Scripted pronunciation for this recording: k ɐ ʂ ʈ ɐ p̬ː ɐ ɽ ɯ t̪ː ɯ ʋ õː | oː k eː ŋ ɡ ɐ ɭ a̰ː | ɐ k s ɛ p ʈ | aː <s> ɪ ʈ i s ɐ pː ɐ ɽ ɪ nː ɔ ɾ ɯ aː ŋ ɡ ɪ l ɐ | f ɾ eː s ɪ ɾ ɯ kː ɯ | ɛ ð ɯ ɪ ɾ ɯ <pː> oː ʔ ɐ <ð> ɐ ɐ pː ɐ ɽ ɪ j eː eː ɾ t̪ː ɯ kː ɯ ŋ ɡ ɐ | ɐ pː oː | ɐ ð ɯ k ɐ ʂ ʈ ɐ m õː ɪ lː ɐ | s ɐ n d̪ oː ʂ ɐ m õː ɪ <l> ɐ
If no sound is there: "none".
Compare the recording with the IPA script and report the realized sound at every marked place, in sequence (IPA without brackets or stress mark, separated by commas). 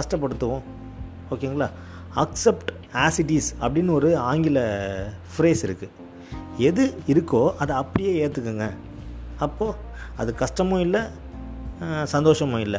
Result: s, kː, ð, lː